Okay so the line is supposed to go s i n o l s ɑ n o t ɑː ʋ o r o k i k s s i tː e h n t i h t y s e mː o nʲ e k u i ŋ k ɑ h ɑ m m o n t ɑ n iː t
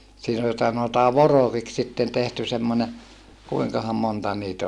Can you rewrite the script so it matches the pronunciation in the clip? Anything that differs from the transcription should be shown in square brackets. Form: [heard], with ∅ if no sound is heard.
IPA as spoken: s [iː] n o l s ɑ n o t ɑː ʋ o r o k i k s s i tː e [∅] n t [e] h t y s e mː o nʲ e k u i ŋ k ɑ h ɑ m m o n t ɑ n iː t